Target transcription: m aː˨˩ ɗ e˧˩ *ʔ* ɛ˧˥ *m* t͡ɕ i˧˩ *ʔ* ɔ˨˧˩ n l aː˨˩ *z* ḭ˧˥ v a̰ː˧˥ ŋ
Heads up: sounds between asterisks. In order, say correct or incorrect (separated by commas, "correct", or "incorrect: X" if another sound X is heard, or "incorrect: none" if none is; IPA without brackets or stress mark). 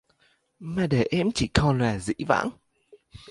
correct, correct, incorrect: k, correct